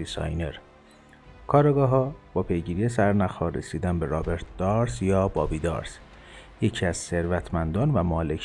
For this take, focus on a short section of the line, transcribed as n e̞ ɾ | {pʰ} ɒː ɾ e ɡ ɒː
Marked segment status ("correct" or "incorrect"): incorrect